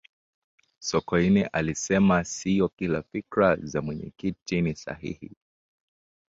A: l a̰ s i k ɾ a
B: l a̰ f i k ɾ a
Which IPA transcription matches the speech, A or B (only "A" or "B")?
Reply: B